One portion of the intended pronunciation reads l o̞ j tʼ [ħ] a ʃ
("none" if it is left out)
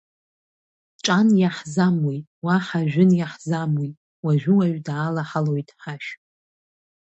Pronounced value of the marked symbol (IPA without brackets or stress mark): ħ